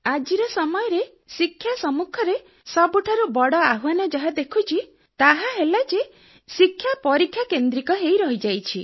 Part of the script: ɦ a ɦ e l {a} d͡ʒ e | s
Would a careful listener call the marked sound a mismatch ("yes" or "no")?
no